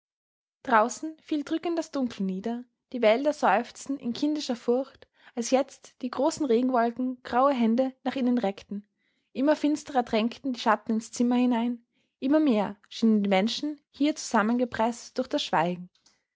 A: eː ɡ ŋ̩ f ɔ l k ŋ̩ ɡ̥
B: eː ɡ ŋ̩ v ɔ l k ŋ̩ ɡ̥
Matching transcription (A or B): B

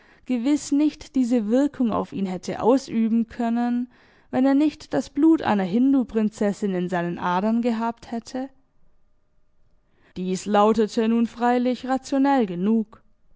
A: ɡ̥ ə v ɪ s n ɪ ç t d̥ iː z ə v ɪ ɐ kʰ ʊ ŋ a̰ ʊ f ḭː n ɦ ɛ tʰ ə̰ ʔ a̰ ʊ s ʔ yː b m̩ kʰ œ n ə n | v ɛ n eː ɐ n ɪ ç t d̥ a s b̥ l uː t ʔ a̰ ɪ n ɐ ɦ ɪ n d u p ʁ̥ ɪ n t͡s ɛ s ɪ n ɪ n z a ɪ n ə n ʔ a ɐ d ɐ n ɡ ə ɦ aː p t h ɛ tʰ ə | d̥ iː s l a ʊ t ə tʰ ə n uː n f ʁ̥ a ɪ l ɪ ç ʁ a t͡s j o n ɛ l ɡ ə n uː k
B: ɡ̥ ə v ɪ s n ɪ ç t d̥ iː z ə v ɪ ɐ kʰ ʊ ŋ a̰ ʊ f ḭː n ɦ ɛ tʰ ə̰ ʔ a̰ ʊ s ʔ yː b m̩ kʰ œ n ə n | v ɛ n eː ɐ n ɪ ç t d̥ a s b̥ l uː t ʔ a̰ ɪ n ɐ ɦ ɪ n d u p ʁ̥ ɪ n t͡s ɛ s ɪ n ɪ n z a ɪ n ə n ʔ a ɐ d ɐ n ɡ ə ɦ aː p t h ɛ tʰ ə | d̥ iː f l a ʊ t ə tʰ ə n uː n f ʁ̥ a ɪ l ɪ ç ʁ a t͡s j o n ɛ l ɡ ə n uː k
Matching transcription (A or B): A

